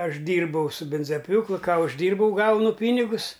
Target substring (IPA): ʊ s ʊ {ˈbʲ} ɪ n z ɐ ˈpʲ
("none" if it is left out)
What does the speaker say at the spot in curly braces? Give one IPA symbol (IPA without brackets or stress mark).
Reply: bʲ